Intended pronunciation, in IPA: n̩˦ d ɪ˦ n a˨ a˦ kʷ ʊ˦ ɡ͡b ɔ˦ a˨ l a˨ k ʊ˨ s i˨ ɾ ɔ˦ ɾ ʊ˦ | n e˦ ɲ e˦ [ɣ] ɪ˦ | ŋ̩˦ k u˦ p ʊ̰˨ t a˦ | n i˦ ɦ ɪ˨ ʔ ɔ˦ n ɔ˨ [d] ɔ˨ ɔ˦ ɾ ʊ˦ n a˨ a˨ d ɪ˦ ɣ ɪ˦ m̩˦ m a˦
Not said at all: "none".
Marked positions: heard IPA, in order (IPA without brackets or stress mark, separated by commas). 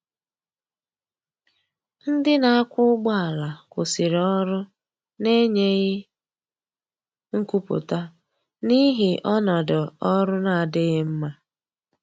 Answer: ɣ, d